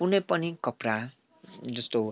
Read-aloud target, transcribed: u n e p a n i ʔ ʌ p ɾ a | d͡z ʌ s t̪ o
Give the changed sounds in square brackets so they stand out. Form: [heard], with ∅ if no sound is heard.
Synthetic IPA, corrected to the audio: u n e p [ʌ] n i [k] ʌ p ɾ a | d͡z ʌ s t̪ o